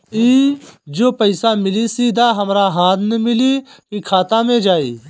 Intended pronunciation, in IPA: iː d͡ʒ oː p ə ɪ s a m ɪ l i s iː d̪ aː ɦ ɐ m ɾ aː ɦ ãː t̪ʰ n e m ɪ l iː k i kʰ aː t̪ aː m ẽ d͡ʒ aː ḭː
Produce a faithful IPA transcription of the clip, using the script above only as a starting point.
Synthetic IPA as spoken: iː d͡ʒ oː p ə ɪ s a m ɪ l i s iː d̪ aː ɦ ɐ m ɾ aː ɦ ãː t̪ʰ n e m ɪ l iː k i kʰ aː t̪ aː m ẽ d͡ʒ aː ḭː